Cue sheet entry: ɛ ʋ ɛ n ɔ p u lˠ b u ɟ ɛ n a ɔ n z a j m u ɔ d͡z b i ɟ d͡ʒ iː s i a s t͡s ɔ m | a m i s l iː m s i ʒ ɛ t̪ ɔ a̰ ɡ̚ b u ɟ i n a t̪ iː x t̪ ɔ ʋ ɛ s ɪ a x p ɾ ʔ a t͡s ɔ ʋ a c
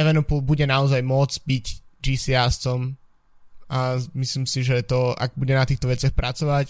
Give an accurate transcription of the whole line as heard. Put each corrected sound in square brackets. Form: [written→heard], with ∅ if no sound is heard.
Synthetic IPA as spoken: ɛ ʋ ɛ n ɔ p u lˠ b u ɟ ɛ n a ɔ [n→∅] z a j m [u→ʊ] ɔ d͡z b i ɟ d͡ʒ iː s i a s t͡s ɔ m | a m i s l iː m s i ʒ ɛ t̪ ɔ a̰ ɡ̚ b u ɟ [i→ɛ] n a t̪ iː x t̪ ɔ ʋ ɛ [s→t͡s] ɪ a x p ɾ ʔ a t͡s ɔ ʋ a c